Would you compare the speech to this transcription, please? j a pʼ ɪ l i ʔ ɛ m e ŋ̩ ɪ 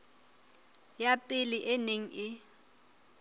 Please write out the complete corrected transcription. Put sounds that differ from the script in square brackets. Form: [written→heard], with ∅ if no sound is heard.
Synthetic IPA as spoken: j a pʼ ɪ l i ʔ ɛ [m→n] e ŋ̩ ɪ